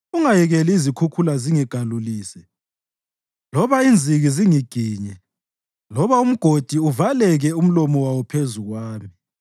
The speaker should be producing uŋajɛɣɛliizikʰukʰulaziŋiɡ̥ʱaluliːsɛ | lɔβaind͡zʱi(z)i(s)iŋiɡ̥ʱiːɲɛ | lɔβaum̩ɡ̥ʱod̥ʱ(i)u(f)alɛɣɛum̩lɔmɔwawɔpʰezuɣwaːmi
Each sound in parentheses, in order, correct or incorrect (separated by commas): incorrect, incorrect, correct, incorrect